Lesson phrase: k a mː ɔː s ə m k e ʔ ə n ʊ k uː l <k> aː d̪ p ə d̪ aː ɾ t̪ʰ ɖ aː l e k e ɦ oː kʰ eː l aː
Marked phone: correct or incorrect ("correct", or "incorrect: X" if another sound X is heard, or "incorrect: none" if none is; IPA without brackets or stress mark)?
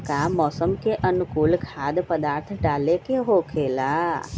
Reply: incorrect: kʰ